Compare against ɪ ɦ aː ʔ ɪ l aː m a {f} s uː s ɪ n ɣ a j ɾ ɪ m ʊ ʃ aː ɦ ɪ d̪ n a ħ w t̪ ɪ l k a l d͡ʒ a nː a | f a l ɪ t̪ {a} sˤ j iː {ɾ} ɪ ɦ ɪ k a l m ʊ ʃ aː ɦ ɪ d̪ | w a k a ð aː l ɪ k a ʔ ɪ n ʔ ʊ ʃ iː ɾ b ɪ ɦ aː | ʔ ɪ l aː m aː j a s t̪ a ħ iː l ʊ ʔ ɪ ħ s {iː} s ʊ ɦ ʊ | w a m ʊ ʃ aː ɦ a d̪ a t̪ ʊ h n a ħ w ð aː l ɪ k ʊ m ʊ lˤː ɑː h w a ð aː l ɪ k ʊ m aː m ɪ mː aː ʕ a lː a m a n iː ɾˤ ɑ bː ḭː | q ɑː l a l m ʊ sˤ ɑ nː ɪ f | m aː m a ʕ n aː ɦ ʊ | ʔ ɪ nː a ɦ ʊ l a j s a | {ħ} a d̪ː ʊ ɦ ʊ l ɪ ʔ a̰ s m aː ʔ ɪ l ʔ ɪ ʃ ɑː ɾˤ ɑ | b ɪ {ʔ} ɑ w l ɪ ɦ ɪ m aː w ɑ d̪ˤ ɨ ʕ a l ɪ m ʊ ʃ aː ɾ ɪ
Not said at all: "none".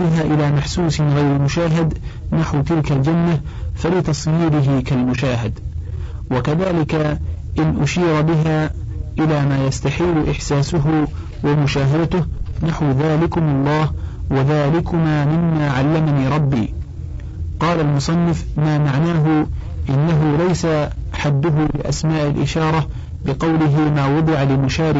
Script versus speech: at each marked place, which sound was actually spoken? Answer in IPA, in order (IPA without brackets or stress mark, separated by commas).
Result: ħ, ɑ, ɾ, aː, ħ, q